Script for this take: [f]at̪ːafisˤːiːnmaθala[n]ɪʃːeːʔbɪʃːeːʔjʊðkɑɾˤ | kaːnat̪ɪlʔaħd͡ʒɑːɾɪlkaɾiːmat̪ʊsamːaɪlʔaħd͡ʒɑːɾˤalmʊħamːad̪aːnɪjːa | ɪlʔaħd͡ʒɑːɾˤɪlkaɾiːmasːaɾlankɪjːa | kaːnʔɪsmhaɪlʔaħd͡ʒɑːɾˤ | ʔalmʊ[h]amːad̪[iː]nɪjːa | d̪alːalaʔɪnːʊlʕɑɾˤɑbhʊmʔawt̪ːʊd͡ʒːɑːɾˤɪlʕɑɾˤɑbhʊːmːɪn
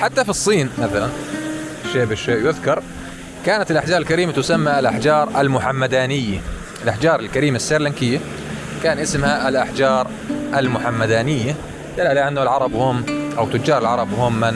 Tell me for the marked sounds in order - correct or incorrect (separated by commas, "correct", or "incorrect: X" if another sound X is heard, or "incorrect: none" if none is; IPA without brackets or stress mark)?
incorrect: ħ, correct, incorrect: ħ, incorrect: aː